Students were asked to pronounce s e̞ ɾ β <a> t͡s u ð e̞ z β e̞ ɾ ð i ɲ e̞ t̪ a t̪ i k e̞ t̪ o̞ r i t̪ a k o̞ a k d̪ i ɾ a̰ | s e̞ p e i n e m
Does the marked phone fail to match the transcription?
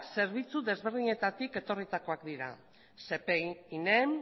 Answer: yes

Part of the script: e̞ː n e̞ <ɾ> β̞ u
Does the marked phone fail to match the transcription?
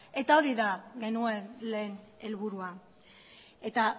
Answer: yes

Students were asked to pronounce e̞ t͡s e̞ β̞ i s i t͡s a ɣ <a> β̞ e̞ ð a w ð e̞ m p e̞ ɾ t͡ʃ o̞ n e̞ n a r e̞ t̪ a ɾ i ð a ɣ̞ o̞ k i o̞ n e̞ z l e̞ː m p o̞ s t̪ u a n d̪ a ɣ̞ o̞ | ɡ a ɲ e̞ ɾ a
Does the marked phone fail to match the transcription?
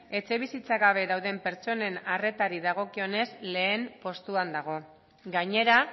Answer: no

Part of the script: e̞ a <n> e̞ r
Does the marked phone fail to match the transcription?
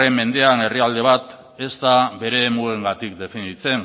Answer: no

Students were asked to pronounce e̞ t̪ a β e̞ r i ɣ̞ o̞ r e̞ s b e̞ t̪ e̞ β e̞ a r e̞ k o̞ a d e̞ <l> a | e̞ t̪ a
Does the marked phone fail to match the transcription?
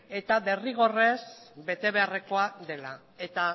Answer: no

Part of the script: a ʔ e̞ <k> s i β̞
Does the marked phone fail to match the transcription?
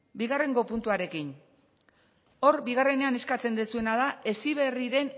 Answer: yes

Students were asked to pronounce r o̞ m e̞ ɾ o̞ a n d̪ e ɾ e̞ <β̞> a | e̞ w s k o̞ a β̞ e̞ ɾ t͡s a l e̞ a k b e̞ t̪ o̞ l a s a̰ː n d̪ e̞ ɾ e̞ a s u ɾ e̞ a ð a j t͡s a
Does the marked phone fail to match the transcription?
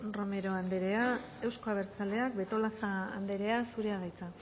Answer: yes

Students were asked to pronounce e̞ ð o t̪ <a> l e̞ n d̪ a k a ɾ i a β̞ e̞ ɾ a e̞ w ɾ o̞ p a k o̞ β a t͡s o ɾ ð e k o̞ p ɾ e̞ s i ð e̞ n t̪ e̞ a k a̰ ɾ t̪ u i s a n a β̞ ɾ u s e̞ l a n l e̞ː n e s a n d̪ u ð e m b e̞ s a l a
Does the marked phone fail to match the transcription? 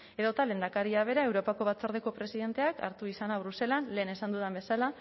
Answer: no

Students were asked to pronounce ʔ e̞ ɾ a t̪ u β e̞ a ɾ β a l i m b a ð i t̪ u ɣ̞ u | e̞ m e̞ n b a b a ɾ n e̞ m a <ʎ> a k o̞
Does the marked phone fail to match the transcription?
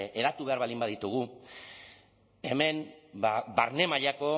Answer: no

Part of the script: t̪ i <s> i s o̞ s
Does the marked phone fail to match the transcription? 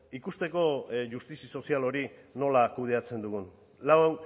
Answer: no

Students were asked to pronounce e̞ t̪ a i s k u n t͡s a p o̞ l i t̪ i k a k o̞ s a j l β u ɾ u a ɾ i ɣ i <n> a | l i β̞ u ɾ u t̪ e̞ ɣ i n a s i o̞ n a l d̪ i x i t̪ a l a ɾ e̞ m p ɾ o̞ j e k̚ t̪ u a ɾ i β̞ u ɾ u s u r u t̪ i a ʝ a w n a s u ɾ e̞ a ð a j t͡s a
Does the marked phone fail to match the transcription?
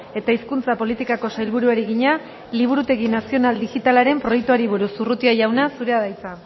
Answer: yes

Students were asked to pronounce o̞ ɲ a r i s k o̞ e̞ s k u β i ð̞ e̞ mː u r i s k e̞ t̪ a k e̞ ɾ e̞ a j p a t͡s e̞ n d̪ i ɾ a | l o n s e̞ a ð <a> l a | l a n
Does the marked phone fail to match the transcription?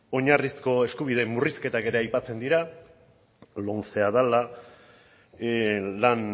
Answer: no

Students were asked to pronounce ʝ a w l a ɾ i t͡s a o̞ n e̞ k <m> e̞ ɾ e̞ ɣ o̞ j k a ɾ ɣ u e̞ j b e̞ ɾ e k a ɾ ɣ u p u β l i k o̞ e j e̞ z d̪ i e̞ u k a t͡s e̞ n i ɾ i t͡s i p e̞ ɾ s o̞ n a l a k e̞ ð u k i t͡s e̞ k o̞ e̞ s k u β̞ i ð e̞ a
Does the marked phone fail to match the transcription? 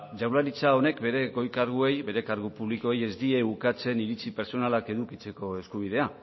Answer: yes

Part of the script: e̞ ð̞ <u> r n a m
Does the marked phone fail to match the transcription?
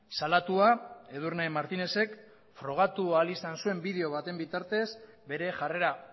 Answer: no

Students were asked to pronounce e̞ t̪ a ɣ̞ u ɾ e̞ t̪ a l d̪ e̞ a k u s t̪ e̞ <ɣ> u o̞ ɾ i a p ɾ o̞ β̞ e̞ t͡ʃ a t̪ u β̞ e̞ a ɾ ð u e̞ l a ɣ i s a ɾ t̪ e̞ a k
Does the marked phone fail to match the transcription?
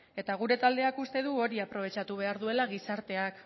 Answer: yes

